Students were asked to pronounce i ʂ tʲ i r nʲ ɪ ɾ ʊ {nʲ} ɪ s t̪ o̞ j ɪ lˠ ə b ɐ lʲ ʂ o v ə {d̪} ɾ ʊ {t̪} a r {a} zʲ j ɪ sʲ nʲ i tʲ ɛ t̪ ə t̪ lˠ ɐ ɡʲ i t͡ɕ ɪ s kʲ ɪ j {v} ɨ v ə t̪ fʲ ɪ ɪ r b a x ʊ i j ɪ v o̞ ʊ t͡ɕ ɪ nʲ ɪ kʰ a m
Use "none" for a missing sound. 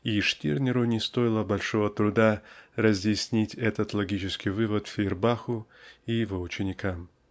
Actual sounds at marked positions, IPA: nʲ, t̪, d̪, ə, v

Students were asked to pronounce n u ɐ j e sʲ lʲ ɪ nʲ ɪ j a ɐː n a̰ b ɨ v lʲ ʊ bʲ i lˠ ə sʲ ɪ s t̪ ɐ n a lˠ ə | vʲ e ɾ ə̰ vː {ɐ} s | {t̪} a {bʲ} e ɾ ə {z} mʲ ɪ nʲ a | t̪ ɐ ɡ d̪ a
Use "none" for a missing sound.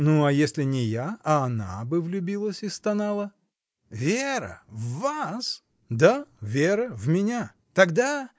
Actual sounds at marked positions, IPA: a, d̪, vʲ, v

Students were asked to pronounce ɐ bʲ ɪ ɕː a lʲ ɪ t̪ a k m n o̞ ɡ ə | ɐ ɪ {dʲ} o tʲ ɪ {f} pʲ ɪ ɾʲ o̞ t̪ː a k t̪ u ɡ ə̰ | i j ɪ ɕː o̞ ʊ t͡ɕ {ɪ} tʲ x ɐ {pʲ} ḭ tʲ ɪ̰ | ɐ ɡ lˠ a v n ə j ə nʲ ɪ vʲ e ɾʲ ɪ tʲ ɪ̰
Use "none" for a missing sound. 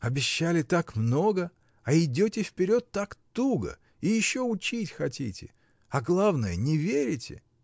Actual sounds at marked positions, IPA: dʲ, f, i, tʲ

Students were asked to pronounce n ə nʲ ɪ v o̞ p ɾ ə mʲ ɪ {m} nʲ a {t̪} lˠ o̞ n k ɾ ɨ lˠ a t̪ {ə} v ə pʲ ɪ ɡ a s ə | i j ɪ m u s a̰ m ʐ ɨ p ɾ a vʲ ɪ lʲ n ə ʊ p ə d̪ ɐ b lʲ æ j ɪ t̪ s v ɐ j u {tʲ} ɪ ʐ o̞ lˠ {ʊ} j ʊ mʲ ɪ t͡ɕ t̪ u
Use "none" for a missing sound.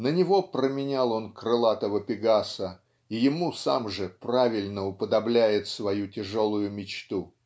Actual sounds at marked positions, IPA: none, none, ə, tʲ, ʊ

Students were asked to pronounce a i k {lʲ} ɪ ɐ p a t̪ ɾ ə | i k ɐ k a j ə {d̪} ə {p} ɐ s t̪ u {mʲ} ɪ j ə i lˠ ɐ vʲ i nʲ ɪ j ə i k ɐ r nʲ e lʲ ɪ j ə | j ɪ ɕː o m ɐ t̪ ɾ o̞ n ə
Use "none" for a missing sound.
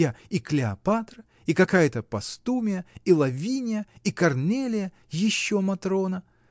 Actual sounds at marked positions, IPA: lʲ, t̪, p, mʲ

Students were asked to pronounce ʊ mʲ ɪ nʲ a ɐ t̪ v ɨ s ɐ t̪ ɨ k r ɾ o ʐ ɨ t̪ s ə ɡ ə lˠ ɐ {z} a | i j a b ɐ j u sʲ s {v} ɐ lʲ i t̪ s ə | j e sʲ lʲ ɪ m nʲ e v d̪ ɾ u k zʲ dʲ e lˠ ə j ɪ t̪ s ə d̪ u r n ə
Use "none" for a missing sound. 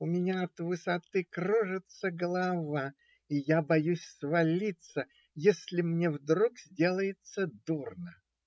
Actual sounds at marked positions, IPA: v, v

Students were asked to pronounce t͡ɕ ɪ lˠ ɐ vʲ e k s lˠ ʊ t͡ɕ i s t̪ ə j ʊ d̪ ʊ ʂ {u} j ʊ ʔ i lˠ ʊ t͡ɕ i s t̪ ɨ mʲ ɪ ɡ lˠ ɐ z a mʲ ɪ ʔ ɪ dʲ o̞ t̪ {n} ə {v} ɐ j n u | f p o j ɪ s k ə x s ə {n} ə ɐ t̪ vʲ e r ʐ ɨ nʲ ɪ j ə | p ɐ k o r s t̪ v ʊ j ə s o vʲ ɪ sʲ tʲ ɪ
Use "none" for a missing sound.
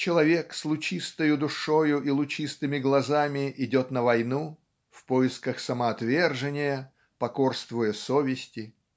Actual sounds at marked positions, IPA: o, n, v, m

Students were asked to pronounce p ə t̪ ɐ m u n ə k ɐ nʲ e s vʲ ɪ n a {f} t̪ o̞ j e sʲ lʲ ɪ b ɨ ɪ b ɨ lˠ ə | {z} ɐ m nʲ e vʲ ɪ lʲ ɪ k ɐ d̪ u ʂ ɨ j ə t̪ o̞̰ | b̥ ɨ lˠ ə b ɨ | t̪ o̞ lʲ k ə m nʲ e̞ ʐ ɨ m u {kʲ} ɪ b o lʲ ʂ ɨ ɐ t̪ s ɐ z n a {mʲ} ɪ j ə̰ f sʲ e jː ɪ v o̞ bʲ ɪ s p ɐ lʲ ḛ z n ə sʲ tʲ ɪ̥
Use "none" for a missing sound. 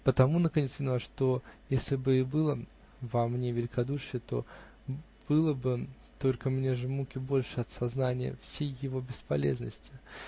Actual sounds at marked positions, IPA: ʂ, v, kʲ, nʲ

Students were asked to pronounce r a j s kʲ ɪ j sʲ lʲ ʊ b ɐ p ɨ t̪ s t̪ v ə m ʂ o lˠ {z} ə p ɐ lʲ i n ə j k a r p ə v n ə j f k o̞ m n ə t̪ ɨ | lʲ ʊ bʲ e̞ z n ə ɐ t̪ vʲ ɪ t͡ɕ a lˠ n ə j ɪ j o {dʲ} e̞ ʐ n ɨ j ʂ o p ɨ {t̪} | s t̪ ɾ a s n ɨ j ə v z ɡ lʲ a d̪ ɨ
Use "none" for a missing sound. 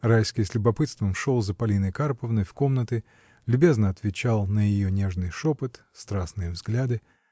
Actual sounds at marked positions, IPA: z, nʲ, t̪

